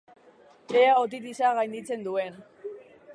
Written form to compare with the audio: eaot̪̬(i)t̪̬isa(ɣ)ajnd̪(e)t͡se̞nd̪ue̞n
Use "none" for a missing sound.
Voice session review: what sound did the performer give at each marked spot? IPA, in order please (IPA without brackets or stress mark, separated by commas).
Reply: i, ɣ, i